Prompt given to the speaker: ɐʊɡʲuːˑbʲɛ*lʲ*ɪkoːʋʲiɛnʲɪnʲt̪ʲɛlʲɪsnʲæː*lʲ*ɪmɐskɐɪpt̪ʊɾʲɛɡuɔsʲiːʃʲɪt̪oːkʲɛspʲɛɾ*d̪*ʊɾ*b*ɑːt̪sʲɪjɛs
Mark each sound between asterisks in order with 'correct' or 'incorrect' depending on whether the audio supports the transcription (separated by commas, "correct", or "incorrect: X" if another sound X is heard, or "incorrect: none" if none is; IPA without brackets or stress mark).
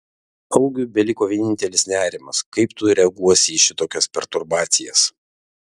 correct, incorrect: ɾʲ, incorrect: t̪, correct